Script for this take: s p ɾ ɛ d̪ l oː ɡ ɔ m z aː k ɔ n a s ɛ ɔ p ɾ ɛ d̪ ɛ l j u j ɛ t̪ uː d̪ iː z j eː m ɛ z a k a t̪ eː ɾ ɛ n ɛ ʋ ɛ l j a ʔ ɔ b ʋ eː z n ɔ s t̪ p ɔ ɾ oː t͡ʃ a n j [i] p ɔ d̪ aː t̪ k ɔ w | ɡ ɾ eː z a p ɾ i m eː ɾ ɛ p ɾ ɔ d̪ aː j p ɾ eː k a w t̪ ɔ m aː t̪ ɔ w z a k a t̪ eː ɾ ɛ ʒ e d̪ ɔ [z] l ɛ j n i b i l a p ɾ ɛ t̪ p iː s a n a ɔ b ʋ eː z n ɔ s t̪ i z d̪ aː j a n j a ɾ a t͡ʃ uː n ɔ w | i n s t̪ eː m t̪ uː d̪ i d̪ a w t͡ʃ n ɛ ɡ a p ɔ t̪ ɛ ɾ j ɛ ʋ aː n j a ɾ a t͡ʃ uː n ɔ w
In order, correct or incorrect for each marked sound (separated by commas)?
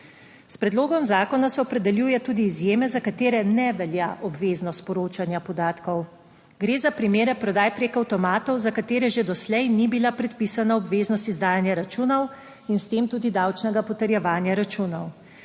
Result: incorrect, incorrect